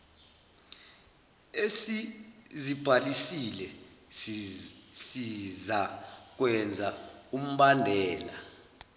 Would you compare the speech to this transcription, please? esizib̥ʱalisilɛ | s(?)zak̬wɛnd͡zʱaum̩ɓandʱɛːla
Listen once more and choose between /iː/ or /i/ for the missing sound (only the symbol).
i